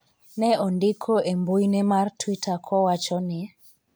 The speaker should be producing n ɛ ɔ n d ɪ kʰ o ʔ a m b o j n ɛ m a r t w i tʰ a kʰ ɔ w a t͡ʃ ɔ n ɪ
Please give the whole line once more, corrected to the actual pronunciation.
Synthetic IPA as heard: n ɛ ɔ n d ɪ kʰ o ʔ e m b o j n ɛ m a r t w i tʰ a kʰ ɔ w a t͡ʃ ɔ n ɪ

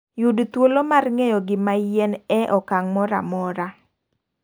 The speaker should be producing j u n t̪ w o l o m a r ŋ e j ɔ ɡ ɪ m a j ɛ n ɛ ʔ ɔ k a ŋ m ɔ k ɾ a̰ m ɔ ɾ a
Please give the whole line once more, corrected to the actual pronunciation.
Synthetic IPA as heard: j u d t̪ w o l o m a r ŋ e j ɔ ɡ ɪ m a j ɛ n ɛ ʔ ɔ k a ŋ m ɔ ɾ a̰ m ɔ ɾ a

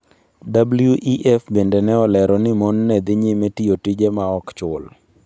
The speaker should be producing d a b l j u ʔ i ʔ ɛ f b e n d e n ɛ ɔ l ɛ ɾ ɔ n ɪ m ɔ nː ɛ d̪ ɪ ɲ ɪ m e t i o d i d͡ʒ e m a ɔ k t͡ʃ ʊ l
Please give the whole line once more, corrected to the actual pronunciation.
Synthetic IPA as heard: d a b l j u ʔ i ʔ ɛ f b e n d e n ɛ ɔ l ɛ ɾ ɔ n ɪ m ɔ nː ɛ d̪ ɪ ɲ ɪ m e t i o t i d͡ʒ e m a ɔ k t͡ʃ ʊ l

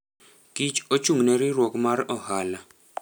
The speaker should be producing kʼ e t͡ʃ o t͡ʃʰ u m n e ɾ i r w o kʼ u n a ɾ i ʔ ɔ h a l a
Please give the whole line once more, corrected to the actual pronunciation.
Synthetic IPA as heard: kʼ i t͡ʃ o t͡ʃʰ u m n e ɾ i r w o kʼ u m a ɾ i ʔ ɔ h a l a

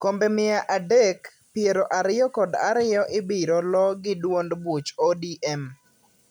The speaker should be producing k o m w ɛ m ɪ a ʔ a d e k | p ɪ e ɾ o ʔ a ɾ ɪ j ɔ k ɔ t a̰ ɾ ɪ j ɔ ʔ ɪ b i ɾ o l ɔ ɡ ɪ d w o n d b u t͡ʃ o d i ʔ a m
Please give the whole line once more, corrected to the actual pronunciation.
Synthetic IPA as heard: k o m b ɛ m ɪ a ʔ a d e k | p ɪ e ɾ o ʔ a ɾ ɪ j ɔ k ɔ d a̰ ɾ ɪ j ɔ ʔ ɪ b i ɾ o l ɔ ɡ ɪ d w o n d b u t͡ʃ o d i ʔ ɛ m

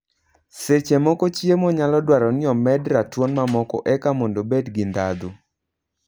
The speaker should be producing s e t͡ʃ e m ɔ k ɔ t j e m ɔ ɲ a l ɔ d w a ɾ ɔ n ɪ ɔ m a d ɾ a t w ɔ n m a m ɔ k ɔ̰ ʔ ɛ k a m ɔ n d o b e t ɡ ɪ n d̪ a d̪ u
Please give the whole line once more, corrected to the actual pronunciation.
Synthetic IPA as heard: s e t͡ʃ e m ɔ k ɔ t͡ʃ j e m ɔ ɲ a l ɔ d w a ɾ ɔ n ɪ ɔ m ɛ d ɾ a t w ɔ n m a m ɔ k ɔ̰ ʔ ɛ k a m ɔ n d o b e d ɡ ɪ n d̪ a d̪ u

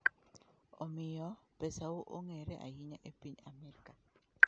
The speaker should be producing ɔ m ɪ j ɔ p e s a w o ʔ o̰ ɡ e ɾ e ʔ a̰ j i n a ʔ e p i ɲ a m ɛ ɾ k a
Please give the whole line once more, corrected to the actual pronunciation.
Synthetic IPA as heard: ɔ m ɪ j ɔ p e s a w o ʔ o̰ ŋ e ɾ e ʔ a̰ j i ɲ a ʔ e p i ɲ a m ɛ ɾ k a

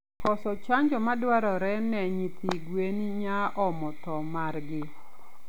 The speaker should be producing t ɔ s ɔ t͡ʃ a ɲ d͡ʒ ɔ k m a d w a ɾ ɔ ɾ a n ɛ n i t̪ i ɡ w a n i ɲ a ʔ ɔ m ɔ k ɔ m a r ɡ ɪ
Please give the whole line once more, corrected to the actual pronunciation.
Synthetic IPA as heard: k ɔ s ɔ t͡ʃ a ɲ d͡ʒ ɔ m a d w a ɾ ɔ ɾ ɛ n ɛ ɲ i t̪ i ɡ w e n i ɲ a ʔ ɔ m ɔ t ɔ m a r ɡ ɪ

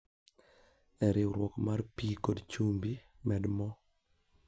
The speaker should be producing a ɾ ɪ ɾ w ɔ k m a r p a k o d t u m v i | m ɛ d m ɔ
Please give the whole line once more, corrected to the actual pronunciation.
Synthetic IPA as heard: ɛ ɾ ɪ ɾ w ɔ k m a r p i k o d t͡ʃ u m b i | m ɛ d m ɔ

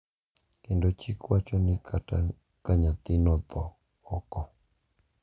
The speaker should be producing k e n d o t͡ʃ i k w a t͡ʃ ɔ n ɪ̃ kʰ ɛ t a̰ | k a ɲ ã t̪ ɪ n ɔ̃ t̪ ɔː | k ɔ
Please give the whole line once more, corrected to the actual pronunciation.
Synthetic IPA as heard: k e n d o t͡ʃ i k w a t͡ʃ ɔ n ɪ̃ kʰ a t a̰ | k a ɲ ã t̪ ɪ n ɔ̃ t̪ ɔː | k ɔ

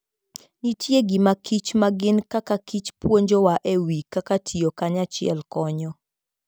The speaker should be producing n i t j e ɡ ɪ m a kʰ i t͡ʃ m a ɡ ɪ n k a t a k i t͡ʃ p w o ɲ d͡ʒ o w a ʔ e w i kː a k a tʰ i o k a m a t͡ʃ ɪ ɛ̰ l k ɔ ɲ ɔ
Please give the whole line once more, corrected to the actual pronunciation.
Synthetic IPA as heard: n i t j e ɡ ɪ m a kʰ i t͡ʃ m a ɡ ɪ n k a k a k i t͡ʃ p w o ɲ d͡ʒ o w a ʔ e w i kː a k a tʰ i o k a ɲ a t͡ʃ ɪ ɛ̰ l k ɔ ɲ ɔ

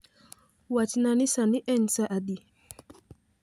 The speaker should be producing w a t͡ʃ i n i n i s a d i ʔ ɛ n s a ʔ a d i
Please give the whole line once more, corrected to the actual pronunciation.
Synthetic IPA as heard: w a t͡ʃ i n a n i s a n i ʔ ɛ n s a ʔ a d i

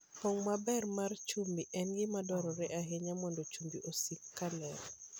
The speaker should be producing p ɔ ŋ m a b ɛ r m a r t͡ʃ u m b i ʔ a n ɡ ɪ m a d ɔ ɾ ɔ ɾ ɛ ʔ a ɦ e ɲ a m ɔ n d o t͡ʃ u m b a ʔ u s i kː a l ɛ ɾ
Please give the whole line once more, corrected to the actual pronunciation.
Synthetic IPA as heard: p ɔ ŋ m a b ɛ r m a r t͡ʃ u m b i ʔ ɛ n ɡ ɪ m a d ɔ ɾ ɔ ɾ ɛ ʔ a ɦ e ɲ a m ɔ n d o t͡ʃ u m b i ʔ o s i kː a l ɛ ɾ

